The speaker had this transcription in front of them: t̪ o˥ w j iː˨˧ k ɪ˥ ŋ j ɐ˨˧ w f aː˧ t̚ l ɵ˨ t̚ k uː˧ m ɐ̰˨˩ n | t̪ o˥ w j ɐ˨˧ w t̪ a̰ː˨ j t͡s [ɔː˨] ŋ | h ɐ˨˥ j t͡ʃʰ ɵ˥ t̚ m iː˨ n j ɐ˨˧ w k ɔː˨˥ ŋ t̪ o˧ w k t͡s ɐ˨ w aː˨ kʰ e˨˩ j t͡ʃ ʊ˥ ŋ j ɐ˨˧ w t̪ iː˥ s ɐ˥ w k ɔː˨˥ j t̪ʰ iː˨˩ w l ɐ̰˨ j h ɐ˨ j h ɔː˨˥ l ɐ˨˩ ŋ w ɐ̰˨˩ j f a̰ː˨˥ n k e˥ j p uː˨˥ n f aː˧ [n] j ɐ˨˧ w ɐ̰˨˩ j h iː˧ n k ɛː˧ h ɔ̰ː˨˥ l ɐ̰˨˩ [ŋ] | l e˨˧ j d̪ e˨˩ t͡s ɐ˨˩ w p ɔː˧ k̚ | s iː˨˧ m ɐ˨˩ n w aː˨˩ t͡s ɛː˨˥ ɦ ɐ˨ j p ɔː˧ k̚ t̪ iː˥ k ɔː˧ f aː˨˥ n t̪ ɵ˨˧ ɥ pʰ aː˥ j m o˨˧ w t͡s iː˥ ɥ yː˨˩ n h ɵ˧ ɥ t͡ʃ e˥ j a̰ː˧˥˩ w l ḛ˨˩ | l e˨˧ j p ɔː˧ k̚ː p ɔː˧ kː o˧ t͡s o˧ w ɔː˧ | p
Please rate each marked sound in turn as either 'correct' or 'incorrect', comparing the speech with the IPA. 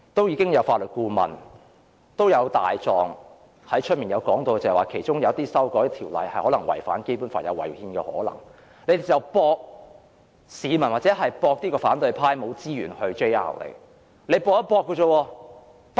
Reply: correct, correct, correct

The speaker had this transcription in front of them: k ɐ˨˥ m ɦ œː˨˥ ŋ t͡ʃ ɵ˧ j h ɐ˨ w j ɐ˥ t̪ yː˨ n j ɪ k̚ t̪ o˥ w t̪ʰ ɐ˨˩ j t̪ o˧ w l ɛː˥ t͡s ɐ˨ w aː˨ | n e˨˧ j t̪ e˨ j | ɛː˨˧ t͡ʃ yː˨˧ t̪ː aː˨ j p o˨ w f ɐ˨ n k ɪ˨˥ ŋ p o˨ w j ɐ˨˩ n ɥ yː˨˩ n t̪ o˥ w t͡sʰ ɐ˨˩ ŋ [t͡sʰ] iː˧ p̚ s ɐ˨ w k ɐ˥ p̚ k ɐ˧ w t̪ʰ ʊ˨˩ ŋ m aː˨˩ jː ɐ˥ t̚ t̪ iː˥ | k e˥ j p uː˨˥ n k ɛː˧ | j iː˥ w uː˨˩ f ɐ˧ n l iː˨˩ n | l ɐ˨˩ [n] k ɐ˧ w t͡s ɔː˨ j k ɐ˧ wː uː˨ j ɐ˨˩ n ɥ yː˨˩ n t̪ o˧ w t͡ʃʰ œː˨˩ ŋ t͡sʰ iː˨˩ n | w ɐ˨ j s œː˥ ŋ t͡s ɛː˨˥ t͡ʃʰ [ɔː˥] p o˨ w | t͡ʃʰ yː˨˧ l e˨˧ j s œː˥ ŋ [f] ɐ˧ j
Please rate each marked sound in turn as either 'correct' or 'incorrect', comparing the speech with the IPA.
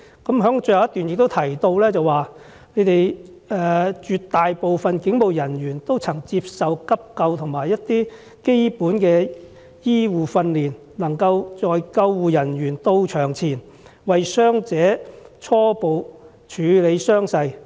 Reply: incorrect, incorrect, correct, incorrect

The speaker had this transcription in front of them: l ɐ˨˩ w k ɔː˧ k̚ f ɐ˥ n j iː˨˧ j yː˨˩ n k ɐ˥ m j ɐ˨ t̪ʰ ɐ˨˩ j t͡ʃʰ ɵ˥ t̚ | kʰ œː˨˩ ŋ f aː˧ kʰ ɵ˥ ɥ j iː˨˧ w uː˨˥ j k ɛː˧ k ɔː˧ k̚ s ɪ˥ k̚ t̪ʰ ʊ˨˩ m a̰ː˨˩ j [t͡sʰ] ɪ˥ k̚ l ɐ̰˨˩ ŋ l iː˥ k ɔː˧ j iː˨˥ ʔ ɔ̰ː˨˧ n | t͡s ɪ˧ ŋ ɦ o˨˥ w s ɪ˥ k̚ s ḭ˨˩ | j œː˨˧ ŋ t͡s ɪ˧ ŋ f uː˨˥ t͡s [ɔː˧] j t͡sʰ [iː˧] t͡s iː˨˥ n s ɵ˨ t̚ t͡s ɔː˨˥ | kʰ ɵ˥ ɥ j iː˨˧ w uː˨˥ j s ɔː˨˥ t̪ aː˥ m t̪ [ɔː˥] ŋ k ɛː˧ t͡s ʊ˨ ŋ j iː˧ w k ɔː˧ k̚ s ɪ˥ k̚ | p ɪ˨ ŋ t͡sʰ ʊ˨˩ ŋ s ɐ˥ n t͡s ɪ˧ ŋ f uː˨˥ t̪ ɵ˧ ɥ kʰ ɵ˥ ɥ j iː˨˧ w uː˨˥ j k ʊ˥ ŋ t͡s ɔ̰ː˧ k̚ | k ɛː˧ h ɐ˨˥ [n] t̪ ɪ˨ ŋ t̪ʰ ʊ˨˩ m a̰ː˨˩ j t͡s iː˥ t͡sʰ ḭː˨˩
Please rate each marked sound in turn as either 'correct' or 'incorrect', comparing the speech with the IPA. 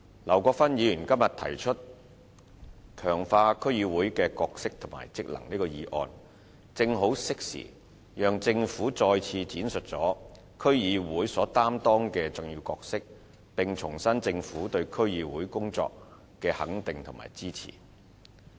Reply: incorrect, correct, correct, correct, incorrect

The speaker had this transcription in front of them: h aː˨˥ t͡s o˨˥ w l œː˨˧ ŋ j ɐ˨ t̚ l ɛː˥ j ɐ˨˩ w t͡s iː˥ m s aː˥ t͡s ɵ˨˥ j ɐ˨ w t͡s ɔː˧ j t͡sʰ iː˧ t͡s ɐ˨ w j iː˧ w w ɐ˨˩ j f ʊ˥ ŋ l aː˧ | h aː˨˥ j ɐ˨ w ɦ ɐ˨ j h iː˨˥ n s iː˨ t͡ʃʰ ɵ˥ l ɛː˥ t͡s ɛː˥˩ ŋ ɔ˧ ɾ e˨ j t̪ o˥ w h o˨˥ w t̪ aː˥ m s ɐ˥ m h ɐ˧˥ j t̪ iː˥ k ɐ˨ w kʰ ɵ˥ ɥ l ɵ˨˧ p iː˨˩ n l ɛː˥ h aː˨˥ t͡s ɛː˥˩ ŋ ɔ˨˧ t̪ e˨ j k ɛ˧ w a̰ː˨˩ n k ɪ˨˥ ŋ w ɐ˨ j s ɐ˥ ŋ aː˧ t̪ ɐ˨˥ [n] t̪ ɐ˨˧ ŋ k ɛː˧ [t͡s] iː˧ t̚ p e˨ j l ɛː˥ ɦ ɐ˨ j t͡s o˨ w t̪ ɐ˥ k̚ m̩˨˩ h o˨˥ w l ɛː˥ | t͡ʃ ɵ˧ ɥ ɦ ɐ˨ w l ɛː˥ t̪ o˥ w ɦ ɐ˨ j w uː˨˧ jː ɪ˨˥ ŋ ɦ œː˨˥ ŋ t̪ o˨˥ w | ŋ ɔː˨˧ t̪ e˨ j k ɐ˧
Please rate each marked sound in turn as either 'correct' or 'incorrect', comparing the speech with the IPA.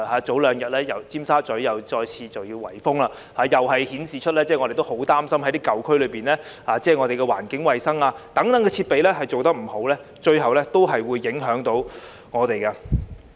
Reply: incorrect, incorrect

